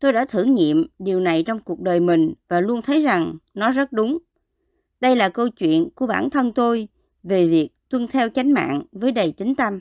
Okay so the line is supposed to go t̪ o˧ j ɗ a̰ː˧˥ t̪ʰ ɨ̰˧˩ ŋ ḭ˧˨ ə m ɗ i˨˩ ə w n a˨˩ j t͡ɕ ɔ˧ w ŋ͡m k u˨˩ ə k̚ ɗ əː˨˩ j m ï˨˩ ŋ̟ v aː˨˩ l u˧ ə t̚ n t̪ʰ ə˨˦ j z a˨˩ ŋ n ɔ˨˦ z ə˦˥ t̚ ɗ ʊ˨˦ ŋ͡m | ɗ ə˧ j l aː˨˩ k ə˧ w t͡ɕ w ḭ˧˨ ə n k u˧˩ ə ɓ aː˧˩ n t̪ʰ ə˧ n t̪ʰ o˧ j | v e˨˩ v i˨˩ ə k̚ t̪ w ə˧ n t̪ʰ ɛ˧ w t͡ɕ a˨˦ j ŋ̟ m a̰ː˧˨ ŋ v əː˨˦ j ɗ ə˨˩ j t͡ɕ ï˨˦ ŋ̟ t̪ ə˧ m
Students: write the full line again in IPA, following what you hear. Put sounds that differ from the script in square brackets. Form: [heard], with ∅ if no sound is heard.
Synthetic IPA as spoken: t̪ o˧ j ɗ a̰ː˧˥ t̪ʰ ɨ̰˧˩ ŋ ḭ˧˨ ə m ɗ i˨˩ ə w n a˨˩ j t͡ɕ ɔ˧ w ŋ͡m k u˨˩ ə k̚ ɗ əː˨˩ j m ï˨˩ ŋ̟ v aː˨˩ l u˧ ə [∅] n t̪ʰ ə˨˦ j z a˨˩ ŋ n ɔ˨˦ z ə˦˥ t̚ ɗ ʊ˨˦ ŋ͡m | ɗ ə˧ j l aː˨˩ k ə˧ w t͡ɕ w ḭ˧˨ ə n k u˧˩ ə ɓ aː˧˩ n t̪ʰ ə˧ n [t̪] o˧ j | v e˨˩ v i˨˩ ə k̚ t̪ w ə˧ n t̪ʰ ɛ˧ w t͡ɕ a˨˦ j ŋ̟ m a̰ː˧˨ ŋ v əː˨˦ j ɗ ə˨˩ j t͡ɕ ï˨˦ ŋ̟ t̪ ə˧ m